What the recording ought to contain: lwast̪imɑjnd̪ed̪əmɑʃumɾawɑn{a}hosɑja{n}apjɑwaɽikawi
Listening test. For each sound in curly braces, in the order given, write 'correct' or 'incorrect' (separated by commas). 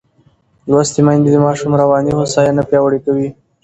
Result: incorrect, correct